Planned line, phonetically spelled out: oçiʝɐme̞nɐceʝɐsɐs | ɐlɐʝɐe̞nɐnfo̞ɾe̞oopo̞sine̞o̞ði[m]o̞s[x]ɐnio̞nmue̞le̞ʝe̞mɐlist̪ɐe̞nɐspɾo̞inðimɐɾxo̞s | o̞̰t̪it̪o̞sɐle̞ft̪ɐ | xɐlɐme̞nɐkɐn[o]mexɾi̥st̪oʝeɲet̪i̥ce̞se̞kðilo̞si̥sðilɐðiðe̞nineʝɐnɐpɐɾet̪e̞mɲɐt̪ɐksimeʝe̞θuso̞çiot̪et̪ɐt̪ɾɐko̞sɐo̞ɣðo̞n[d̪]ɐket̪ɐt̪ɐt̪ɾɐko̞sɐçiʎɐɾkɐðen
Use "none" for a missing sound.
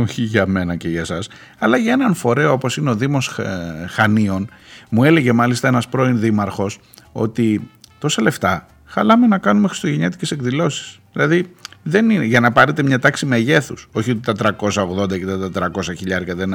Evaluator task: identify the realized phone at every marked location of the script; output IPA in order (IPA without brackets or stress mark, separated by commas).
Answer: m, x, u, d̪